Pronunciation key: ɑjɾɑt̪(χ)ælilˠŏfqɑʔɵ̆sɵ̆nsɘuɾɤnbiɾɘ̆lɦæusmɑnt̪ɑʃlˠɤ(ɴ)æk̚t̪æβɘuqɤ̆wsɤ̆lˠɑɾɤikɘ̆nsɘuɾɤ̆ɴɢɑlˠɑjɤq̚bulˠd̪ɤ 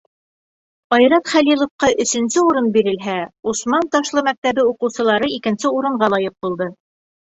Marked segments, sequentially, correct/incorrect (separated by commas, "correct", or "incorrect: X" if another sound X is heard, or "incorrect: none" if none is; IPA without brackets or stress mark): correct, incorrect: m